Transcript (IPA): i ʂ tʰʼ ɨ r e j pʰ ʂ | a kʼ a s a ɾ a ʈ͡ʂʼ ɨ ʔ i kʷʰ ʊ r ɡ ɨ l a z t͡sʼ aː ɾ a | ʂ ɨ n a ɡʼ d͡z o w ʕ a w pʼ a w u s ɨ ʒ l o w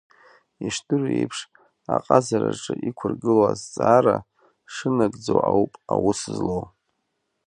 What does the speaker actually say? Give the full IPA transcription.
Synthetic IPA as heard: i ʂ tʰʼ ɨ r e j pʰ ʂ | a qʼ a z a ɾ a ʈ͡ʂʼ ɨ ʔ i kʷʰ ʊ r ɡ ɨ l a z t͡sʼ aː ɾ a | ʂ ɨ n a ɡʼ d͡z o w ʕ a w pʼ a w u s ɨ z l o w